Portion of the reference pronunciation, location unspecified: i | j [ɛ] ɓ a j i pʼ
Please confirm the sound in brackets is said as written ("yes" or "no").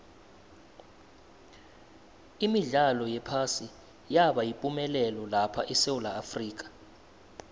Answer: no